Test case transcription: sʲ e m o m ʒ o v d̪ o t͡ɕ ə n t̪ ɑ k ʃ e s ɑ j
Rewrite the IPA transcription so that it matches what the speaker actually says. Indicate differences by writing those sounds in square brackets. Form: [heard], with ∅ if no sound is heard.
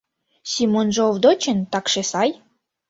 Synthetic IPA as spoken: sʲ [i] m o [n] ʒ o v d̪ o t͡ɕ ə n t̪ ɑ k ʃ e s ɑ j